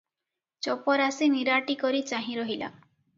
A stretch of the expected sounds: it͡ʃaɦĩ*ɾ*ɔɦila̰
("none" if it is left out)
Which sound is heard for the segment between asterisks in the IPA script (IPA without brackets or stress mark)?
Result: ɾ